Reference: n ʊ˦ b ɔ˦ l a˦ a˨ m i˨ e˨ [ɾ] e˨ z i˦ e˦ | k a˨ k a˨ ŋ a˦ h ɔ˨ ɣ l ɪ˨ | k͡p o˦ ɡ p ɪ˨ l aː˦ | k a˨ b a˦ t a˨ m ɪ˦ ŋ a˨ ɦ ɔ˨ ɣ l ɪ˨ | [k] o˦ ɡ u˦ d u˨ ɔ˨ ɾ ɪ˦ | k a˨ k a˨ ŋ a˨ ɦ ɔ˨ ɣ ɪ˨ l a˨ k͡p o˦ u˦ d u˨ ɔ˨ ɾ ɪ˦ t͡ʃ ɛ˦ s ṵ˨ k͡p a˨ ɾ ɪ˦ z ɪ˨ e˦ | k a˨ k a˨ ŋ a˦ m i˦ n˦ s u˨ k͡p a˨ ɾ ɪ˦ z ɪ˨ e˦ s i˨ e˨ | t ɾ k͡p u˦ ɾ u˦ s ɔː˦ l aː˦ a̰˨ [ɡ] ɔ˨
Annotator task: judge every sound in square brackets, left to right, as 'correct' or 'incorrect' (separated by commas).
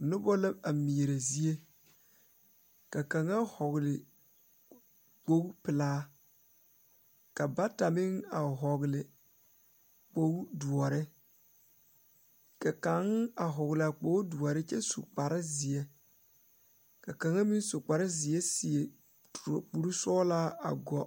correct, incorrect, correct